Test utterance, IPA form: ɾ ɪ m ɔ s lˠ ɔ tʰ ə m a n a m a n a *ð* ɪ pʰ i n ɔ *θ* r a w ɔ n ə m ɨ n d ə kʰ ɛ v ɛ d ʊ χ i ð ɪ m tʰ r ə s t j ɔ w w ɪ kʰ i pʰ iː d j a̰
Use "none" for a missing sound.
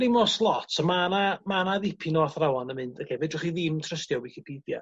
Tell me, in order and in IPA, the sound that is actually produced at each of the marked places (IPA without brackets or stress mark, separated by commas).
ð, θ